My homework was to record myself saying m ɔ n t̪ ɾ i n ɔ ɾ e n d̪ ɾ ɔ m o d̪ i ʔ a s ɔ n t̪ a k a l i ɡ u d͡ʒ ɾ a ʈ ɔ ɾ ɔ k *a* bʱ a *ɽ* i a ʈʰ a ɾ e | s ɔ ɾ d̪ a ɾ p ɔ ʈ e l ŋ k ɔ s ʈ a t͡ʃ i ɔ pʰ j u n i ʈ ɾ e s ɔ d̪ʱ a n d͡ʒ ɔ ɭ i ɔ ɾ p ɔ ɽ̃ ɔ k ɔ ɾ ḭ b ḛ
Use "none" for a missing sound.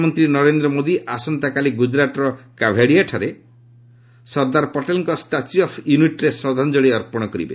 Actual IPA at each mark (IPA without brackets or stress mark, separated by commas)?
a, ɽ